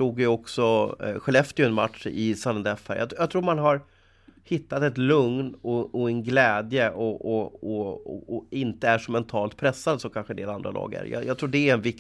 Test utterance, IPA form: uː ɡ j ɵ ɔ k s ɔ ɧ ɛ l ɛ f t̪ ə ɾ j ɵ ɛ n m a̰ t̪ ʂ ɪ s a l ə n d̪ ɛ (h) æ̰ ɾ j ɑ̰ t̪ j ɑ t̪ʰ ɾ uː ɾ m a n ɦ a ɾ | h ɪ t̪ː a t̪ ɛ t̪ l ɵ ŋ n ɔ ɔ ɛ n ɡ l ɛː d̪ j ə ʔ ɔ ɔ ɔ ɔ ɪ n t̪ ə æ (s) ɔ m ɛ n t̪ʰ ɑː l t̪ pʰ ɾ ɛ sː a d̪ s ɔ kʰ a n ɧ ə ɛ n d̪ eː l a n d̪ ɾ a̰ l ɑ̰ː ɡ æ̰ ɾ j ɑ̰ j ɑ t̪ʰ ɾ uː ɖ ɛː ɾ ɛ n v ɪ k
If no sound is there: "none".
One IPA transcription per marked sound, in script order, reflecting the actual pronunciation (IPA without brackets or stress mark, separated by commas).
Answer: f, ʂ